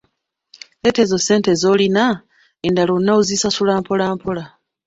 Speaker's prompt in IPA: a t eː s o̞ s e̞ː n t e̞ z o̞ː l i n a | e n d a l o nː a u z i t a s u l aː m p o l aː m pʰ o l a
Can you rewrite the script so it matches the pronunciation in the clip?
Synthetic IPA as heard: e t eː z o̞ s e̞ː n t e̞ z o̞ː l i n a | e n d a l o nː a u z i s a s u l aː m p o l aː m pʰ o l a